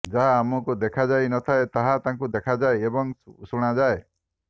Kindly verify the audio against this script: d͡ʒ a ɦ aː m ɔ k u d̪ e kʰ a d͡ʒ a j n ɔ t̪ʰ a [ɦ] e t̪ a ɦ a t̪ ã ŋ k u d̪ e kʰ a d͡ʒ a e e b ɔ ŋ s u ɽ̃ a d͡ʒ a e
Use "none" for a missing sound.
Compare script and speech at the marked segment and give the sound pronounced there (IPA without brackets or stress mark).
none